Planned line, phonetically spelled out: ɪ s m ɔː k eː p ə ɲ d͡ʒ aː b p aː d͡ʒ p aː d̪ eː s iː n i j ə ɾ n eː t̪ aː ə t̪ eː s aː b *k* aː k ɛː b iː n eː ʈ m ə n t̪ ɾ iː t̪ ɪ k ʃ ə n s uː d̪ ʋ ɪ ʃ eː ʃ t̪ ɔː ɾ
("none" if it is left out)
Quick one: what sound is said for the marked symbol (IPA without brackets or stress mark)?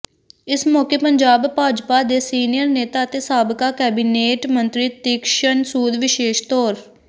k